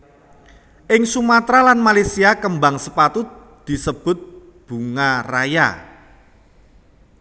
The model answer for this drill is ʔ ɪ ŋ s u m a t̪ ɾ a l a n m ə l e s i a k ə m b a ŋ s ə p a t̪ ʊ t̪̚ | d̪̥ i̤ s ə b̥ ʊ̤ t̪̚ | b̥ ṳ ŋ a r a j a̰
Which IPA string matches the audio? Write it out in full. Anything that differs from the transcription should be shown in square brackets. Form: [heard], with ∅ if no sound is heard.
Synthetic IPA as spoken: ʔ ɪ ŋ s u m a t̪ ɾ a l a n m [a] l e s i a k ə m b a ŋ s ə p a t̪ ʊ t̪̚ | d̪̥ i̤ s ə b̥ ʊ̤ t̪̚ | b̥ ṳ ŋ a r a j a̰